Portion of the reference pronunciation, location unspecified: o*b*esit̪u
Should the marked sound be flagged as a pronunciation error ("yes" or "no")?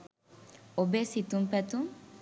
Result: no